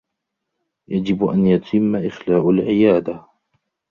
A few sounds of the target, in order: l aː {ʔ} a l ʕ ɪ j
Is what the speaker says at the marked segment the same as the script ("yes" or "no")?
yes